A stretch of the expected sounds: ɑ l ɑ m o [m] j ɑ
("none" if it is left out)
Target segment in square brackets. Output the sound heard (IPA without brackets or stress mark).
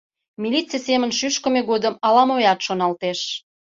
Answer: none